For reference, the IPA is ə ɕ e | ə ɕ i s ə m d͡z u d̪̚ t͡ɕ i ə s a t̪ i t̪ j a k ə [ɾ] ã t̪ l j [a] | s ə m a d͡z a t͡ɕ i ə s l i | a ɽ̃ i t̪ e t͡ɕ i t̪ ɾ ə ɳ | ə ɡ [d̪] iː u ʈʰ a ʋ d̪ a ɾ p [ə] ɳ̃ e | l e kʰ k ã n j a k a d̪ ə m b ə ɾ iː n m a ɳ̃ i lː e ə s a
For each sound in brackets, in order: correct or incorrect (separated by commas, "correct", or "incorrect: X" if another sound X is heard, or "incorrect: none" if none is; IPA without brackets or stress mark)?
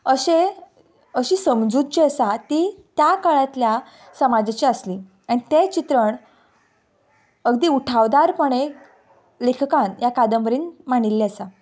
incorrect: ɭ, correct, correct, correct